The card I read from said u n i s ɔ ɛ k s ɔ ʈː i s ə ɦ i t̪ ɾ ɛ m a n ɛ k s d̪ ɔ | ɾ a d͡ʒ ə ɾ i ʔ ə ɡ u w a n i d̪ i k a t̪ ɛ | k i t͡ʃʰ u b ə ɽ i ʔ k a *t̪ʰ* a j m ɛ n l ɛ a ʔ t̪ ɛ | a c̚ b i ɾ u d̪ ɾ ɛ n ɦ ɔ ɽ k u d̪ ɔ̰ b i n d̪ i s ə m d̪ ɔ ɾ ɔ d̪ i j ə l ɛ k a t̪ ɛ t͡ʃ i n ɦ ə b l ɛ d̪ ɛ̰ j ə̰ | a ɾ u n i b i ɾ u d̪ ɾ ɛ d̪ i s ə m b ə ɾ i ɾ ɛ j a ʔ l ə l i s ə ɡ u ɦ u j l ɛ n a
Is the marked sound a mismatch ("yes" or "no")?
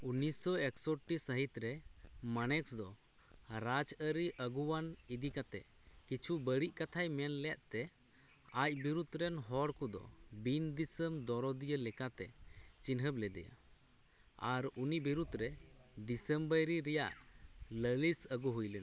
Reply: no